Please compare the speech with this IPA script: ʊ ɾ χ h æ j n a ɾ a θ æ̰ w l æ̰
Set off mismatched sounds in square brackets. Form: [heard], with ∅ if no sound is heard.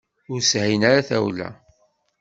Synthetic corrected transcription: ʊ ɾ [s] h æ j n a ɾ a θ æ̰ w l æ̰

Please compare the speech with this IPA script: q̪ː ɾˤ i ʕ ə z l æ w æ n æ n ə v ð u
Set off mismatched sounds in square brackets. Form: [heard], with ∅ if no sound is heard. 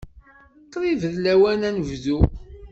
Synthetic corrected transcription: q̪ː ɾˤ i [v] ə [ð] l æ w æ n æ n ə v ð u

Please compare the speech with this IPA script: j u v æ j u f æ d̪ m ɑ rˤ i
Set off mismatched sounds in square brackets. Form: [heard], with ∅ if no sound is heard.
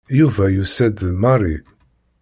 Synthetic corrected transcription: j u v æ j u [s] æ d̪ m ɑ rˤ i

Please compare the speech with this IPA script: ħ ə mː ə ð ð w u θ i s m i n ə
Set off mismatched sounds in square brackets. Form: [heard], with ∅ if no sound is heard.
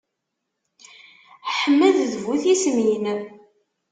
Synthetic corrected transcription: ħ ə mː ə ð ð [v] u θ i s m [j] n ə

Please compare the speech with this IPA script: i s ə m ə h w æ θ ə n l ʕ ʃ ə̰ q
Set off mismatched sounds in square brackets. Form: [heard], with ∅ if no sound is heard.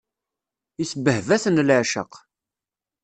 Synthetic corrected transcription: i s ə [b] ə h [v] æ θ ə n l ʕ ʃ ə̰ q

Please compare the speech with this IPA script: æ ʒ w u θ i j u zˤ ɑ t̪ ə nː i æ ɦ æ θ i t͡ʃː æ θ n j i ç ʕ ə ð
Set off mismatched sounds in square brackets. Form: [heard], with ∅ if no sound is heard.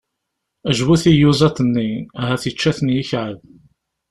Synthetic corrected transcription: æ ʒ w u θ i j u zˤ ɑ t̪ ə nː i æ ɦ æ θ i t͡ʃː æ θ n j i ç ʕ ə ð

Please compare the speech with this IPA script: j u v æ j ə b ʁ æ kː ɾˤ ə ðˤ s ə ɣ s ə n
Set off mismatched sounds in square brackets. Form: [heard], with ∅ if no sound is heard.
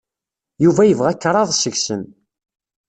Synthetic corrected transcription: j u v æ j ə [v] ʁ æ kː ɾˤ [ɑ] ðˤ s ə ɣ s ə n

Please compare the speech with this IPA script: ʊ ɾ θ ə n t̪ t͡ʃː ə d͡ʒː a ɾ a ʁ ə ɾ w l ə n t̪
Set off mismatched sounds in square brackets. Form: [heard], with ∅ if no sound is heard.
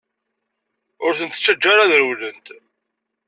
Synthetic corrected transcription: ʊ ɾ θ ə n t̪ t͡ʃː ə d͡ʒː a ɾ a [ð] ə ɾ w l ə n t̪

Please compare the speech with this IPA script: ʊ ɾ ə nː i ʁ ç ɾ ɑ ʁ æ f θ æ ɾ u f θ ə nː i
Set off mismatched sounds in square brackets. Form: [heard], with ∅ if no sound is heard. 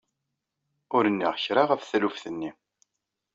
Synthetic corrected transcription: ʊ ɾ ə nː i ʁ ç ɾ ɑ ʁ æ f θ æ [l] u f θ ə nː i

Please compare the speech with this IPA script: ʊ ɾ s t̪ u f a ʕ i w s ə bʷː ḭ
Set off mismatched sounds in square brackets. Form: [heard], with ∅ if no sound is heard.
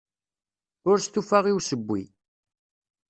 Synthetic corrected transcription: ʊ ɾ s t̪ u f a [ʁ] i w s ə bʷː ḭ

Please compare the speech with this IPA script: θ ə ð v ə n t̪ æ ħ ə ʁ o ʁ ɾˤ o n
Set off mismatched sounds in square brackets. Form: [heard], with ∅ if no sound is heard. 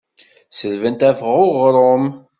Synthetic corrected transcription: [s] ə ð v ə n t̪ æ [f] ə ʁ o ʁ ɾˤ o [m]

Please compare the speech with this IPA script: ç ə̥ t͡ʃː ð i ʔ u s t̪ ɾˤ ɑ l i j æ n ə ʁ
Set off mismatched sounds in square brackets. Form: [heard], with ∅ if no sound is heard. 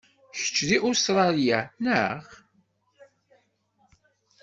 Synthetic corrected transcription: ç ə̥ t͡ʃː ð i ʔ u s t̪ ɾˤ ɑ l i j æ n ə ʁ

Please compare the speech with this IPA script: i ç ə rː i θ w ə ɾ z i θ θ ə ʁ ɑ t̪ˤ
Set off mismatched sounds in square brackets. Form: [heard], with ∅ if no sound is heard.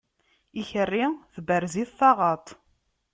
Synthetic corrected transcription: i ç ə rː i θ [b] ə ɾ z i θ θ [ɑ] ʁ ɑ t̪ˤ

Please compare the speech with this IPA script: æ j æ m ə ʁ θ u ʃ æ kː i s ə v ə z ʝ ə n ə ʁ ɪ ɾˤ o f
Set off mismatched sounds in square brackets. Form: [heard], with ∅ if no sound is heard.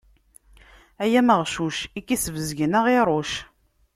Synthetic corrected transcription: æ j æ m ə ʁ [ʃ] u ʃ [i] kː i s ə v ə z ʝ ə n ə ʁ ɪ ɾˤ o [ʃ]

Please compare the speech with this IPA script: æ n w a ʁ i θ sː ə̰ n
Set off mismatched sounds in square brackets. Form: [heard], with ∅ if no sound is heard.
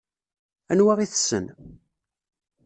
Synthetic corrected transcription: æ n w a ʁ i θ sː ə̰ n

